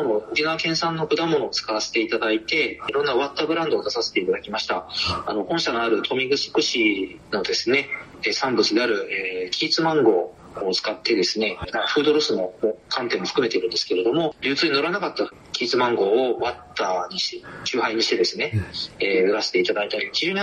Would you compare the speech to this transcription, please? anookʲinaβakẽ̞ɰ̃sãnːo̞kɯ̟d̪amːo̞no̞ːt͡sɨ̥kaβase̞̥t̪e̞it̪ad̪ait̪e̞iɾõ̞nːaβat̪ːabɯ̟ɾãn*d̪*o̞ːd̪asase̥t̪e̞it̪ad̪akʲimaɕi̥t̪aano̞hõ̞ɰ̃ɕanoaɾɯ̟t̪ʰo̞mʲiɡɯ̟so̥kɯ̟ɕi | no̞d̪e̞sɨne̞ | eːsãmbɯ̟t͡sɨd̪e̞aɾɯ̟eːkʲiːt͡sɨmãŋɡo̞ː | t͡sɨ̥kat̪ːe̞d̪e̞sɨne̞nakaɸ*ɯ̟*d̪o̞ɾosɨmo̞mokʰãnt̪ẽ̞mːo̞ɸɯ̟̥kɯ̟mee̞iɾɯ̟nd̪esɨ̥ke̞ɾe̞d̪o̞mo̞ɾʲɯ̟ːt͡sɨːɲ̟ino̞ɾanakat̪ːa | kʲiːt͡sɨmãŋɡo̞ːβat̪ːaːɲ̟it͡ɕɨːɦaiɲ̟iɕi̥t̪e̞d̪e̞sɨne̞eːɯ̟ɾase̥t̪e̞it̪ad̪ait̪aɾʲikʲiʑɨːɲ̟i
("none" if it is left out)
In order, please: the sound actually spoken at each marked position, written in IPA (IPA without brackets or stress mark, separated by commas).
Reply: d̪, ɯ̟ː